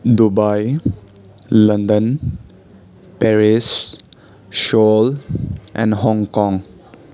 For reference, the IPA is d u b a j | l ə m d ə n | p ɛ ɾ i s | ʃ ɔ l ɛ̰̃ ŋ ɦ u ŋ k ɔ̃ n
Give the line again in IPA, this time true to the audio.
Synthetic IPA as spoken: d u b a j | l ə n d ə n | p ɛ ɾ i s | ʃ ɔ l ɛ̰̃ n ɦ ɔ ŋ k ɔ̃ ŋ